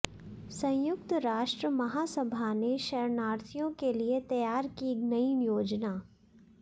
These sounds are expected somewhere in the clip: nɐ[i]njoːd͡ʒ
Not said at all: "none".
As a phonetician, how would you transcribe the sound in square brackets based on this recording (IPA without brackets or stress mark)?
i